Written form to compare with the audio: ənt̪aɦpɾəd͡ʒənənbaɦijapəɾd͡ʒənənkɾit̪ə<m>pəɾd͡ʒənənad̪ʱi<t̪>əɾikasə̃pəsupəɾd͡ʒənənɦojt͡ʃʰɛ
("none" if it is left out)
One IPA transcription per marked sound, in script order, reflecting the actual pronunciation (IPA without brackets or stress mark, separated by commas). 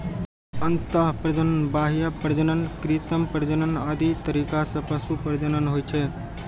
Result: m, t̪